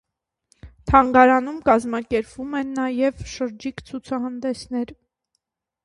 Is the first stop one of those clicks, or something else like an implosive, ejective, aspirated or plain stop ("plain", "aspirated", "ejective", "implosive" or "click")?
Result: aspirated